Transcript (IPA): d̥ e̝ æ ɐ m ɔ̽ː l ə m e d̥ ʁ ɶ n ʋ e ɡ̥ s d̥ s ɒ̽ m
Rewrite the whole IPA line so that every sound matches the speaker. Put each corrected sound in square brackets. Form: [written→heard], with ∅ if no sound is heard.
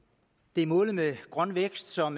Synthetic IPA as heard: d̥ e̝ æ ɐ m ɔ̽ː l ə m e [d̥→ɡ̥] ʁ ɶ n ʋ e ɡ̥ s d̥ s ɒ̽ m